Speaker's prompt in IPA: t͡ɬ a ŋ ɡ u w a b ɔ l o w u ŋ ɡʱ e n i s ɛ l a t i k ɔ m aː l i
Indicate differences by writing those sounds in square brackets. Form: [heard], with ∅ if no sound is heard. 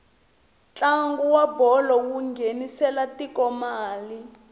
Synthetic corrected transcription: t͡ɬ a ŋ ɡ u w a b ɔ l [ɔ] w u ŋ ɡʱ e n i s ɛ l a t i k ɔ m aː l i